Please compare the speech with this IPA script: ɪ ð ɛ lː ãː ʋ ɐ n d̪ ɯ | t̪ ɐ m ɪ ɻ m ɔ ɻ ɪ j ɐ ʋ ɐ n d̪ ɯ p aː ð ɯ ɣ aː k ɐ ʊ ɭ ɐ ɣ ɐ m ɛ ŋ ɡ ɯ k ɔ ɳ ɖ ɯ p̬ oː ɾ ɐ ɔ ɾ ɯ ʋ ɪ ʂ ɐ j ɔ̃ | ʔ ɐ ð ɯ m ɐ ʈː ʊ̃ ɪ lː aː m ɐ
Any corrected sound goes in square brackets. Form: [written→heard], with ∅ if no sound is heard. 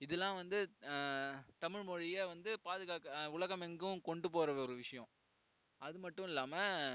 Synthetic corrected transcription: ɪ ð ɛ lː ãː ʋ ɐ n d̪ ɯ | t̪ ɐ m ɪ ɻ m ɔ ɻ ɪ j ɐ ʋ ɐ n d̪ ɯ p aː ð ɯ ɣ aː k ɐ ʊ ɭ ɐ ɣ ɐ m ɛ ŋ ɡ ɯ k ɔ ɳ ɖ ɯ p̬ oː ɾ ɐ ɔ ɾ ɯ ʋ ɪ ʂ ɐ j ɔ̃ | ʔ ɐ ð ɯ m ɐ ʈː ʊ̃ ɪ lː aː m ɐ

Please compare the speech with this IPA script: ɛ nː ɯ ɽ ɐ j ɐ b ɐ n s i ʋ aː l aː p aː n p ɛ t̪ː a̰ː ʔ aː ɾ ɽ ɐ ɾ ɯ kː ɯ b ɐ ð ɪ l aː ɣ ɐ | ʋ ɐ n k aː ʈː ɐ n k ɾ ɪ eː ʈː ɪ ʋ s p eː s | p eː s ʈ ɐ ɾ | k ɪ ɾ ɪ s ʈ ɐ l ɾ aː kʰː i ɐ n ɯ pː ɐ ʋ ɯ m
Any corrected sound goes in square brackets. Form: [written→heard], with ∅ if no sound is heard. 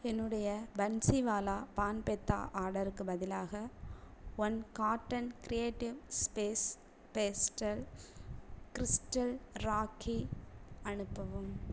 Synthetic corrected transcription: ɛ nː ɯ ɽ ɐ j ɐ b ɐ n s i ʋ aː l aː p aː n p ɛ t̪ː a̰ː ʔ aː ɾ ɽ ɐ ɾ ɯ kː ɯ b ɐ ð ɪ l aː ɣ ɐ | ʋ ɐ n k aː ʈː ɐ n k ɾ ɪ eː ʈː ɪ ʋ s p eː s | p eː s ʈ ɐ [ɾ→l] | k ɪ ɾ ɪ s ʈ ɐ l ɾ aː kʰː i ɐ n ɯ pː ɐ ʋ ɯ m

